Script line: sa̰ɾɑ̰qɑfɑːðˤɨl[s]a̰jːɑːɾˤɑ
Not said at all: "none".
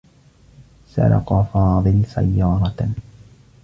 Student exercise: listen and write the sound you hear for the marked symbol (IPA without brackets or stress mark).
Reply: s